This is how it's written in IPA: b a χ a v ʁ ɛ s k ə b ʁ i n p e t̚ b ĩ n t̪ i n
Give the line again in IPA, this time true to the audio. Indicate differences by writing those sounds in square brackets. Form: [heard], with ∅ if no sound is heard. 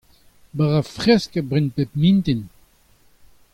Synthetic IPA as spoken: b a [ʁ] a [f] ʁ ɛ s k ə b ʁ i n p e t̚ [m] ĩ n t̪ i n